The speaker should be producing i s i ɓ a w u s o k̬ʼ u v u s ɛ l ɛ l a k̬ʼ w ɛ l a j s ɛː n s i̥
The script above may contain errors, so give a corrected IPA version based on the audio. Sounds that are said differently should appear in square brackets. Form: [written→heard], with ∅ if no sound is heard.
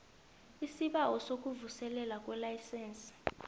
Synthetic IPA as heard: i s i ɓ a w [u→ɔ] s o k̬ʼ u v u s ɛ l ɛ l a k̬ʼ w ɛ l a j s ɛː n s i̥